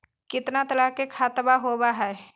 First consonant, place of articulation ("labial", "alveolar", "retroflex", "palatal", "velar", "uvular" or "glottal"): velar